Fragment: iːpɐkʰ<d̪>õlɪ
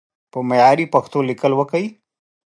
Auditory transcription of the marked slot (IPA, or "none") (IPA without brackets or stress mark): t̪